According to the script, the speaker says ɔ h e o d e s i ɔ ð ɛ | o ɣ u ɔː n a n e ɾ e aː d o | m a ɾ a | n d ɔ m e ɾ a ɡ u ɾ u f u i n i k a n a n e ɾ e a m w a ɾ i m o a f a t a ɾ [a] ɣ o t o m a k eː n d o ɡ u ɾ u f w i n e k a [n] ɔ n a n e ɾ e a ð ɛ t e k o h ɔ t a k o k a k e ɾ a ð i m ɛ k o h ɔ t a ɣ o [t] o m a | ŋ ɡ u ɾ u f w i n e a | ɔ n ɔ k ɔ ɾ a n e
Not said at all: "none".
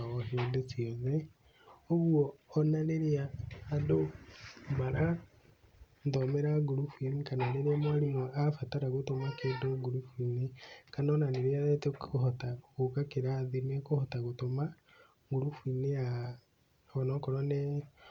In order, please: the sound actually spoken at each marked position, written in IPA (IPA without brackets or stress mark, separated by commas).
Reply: a, n, t